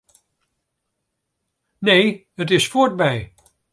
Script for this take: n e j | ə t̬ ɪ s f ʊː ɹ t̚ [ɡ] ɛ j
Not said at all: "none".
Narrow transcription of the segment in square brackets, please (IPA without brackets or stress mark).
b